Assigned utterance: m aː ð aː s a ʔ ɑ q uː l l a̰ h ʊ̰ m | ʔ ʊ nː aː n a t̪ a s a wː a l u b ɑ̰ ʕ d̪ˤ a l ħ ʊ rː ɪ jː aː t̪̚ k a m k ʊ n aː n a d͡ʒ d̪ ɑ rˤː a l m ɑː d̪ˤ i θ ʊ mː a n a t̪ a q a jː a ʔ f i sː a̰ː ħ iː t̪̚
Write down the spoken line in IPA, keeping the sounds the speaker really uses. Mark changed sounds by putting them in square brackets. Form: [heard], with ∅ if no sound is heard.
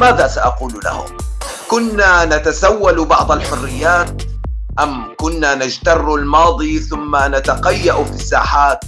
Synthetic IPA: m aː ð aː s a ʔ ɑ q uː l l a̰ h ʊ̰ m | [k] ʊ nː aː n a t̪ a s a wː a l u b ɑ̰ ʕ d̪ˤ a l ħ ʊ rː ɪ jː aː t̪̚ [ʔ] a m k ʊ [nː] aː n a d͡ʒ [t̪] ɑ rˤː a l m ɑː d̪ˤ i θ ʊ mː a n a t̪ a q a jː a ʔ f i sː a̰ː ħ [aː] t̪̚